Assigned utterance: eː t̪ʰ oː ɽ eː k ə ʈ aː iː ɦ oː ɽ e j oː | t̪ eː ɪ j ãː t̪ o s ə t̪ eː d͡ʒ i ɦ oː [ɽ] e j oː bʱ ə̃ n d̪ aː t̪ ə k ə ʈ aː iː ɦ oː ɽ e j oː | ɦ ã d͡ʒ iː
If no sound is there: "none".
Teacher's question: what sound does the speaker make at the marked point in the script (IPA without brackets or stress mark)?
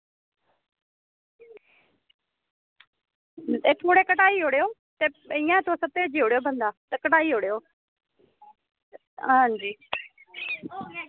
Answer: ɽ